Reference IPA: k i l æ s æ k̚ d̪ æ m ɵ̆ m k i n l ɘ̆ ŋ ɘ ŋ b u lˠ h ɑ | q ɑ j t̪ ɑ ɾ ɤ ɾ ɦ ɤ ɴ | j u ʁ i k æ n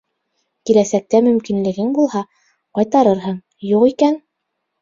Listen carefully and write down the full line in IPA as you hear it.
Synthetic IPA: k i l æ s æ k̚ t̪ æ m ɵ̆ m k i n l ɘ̆ ɡ ɘ ŋ b u lˠ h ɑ | q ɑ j t̪ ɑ ɾ ɤ ɾ ɦ ɤ ɴ | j u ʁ i k æ n